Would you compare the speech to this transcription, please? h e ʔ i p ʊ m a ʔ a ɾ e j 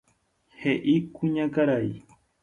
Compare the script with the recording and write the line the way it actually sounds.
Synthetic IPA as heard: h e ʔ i k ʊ ɲ a k a ɾ a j